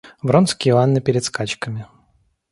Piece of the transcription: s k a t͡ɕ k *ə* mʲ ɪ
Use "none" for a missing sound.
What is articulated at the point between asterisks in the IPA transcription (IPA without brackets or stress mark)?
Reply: ə